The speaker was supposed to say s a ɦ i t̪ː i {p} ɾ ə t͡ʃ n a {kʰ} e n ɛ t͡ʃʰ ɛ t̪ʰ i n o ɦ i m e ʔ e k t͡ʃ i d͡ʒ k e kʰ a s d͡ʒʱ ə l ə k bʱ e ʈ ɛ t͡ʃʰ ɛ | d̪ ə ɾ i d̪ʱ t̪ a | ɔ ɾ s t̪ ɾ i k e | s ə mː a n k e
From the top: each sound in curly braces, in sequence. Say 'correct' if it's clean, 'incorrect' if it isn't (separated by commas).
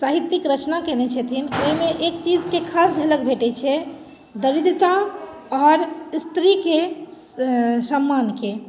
incorrect, incorrect